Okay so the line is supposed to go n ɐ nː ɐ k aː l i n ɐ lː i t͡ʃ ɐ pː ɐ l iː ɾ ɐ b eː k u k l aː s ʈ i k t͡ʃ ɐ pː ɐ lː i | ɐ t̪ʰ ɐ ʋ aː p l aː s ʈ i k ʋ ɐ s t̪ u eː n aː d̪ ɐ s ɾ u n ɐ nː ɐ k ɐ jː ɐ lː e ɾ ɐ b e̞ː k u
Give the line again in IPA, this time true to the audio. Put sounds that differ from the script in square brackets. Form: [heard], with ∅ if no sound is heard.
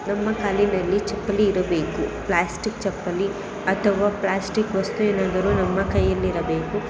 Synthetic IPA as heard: n ɐ [mː] ɐ k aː l i n ɐ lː i t͡ʃ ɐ pː ɐ l iː ɾ ɐ b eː k u [p] l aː s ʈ i k t͡ʃ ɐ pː ɐ [l] i | ɐ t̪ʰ ɐ ʋ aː p l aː s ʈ i k ʋ ɐ s t̪ u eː n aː d̪ ɐ [∅] ɾ u n ɐ [mː] ɐ k ɐ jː ɐ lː [i] ɾ ɐ b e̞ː k u